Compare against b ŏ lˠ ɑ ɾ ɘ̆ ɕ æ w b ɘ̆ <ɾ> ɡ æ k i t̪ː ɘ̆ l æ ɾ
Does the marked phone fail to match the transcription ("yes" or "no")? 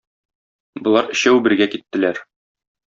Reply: no